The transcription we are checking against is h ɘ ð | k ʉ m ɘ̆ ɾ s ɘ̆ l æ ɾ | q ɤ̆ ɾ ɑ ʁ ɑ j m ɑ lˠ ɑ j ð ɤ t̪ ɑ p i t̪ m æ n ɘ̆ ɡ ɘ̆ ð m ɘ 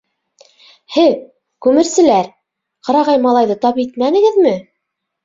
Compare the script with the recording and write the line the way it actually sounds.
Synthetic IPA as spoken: h ɘ ð | k ʉ m ɘ̆ ɾ s ɘ̆ l æ ɾ | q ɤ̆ ɾ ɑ ʁ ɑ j m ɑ lˠ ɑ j ð ɤ t̪ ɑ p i t̪ m æ n ɘ̆ ɡ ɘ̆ ð m ɘ